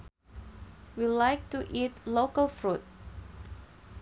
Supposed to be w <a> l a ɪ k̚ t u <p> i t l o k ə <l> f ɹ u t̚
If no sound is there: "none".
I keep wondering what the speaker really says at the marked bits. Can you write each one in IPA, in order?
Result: i, ʔ, l

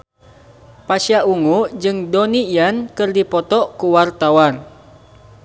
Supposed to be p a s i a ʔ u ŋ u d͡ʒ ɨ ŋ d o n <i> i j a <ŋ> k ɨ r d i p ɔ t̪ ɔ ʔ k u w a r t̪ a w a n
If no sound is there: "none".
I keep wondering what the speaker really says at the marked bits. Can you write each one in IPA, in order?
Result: i, n

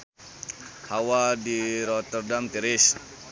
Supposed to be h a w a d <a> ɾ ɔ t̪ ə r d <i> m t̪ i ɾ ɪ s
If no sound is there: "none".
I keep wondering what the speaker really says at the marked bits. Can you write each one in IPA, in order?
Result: i, a

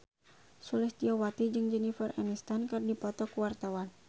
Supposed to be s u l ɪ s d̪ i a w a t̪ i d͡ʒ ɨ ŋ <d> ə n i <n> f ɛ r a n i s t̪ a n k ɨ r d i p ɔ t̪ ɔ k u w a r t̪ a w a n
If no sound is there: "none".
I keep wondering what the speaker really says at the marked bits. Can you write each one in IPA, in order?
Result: d͡ʒ, none

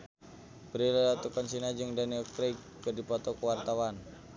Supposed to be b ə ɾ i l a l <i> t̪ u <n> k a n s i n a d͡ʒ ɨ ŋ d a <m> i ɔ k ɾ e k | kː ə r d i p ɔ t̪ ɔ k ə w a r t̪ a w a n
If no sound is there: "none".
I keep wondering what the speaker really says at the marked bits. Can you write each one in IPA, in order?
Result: a, none, n

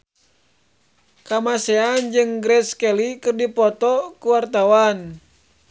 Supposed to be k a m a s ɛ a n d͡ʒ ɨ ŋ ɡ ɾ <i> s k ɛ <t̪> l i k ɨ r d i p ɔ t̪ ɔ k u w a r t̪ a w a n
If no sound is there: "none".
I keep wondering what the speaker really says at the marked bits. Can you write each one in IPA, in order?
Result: ɛ, none

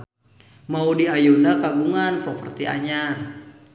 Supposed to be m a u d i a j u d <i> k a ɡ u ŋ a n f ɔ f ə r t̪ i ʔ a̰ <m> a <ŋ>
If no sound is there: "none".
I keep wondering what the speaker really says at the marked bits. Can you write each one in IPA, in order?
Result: a, ɲ, n

